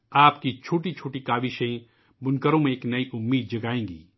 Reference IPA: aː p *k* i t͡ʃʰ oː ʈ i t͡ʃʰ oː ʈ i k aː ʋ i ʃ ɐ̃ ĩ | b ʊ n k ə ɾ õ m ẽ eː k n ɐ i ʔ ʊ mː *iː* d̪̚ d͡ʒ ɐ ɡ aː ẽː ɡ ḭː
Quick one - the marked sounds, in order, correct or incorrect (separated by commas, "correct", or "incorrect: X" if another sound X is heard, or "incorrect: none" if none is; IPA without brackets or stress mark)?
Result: correct, correct